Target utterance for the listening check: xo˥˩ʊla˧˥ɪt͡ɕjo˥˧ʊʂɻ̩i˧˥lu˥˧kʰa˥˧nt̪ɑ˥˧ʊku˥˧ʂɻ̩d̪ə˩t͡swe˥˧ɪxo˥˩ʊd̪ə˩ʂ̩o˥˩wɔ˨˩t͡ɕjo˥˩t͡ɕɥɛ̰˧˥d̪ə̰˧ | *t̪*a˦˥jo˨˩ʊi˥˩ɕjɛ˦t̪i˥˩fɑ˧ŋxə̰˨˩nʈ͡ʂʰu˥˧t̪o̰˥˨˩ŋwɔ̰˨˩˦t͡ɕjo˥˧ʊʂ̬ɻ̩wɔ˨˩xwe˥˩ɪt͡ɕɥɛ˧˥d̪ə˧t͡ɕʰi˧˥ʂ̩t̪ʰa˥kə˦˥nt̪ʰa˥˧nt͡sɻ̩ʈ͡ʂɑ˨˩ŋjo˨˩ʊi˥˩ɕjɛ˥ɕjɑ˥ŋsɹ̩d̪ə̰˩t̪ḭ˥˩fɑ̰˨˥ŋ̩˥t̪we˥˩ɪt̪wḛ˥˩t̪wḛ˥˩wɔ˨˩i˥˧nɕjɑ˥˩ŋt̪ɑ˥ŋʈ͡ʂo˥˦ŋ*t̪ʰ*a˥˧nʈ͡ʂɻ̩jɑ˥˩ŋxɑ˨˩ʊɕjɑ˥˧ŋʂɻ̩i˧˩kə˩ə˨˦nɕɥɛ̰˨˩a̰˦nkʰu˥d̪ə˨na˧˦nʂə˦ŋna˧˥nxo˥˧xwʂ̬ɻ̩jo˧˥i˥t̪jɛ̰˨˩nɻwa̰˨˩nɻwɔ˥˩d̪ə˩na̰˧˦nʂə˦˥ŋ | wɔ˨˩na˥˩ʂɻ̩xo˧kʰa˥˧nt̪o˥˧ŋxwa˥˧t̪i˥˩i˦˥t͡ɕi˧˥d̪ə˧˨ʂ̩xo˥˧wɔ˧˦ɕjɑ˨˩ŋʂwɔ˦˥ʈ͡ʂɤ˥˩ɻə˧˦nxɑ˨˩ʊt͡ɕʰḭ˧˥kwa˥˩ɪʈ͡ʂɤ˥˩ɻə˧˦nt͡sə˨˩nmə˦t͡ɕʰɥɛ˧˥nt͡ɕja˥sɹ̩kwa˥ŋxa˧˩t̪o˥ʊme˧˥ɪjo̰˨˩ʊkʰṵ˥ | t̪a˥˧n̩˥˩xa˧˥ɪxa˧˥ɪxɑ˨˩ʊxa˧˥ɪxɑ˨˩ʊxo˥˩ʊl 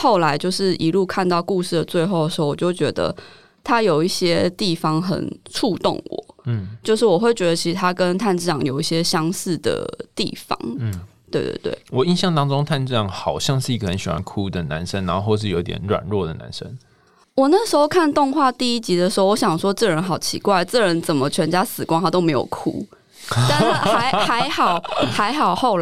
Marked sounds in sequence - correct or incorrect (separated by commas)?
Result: incorrect, correct